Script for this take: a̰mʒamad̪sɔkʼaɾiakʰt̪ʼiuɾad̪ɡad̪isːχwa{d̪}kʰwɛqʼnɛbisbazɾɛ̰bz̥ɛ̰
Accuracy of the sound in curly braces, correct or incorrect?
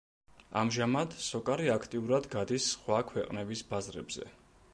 incorrect